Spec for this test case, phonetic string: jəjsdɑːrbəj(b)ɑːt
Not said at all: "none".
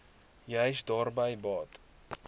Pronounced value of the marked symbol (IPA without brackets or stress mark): b